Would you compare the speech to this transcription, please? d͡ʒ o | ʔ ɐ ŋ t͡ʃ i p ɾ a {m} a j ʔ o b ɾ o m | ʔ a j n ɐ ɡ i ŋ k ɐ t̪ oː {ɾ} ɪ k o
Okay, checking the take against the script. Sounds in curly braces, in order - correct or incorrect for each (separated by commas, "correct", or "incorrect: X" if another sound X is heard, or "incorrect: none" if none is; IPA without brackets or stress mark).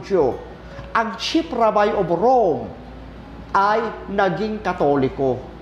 incorrect: b, incorrect: l